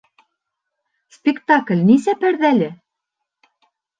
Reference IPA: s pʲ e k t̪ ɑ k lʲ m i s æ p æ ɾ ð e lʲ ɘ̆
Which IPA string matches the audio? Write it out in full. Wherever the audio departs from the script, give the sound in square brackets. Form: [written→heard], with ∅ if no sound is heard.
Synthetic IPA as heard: s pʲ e k t̪ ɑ k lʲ [m→n] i s æ p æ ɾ ð [e→æ] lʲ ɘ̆